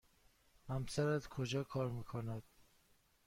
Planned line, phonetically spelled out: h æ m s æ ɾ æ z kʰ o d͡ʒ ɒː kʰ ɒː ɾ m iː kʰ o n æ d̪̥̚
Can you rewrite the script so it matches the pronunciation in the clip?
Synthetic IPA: h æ m s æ ɾ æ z kʰ o d͡ʒ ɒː kʰ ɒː ɾ m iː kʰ o n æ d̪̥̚